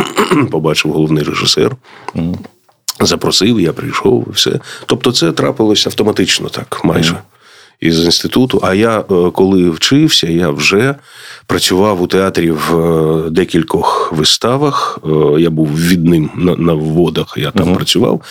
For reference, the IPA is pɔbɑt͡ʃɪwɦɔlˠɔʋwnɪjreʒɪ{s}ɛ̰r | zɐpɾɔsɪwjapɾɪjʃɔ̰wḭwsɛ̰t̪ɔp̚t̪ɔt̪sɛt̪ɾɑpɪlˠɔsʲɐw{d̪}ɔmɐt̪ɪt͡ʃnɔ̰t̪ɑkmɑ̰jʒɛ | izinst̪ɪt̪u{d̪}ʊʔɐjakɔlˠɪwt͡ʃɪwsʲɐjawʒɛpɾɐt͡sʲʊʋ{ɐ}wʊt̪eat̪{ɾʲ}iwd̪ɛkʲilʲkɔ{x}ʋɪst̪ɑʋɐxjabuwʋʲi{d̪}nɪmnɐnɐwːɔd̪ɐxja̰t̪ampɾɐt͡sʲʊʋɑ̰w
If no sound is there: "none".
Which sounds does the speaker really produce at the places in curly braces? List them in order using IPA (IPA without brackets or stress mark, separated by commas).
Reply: s, t̪, t̪, ɑ, ɾʲ, x, d̪